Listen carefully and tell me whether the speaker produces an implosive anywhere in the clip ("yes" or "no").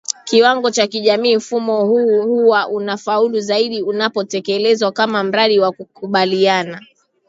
yes